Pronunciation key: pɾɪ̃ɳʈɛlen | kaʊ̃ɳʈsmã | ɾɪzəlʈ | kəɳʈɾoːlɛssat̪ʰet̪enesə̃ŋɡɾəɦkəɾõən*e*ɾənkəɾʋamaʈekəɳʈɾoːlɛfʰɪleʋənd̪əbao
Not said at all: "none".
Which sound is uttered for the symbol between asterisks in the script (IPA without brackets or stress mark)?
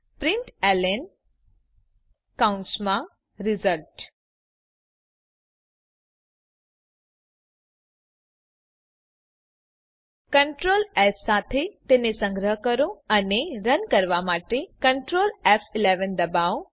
e